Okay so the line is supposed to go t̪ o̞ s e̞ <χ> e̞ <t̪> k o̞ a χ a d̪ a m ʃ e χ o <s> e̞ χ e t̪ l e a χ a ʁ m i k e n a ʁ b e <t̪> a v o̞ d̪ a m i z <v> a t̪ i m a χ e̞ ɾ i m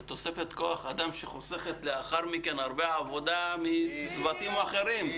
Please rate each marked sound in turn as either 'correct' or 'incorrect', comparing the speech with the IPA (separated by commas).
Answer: incorrect, correct, correct, incorrect, correct